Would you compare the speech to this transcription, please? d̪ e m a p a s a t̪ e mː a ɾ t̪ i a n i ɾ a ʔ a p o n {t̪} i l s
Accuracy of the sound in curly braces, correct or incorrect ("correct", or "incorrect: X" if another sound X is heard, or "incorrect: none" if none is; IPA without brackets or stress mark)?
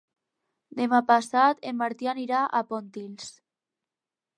correct